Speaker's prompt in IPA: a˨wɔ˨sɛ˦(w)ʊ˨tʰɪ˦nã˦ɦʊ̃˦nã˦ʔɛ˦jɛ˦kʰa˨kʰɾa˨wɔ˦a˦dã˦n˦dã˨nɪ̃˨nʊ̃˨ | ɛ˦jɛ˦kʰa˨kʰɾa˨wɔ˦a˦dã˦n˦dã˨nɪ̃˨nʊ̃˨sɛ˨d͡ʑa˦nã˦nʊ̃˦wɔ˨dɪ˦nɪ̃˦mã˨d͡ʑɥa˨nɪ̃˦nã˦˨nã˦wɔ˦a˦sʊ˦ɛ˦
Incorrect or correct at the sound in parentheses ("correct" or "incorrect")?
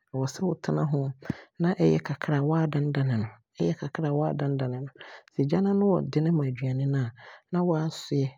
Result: correct